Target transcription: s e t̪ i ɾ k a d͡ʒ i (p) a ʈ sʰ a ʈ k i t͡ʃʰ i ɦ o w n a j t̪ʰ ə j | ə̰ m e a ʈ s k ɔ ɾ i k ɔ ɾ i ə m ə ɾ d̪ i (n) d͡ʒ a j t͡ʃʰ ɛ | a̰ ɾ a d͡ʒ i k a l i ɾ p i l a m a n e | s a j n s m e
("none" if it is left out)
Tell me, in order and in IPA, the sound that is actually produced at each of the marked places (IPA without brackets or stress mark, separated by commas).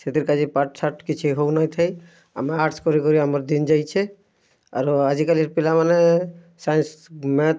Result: p, n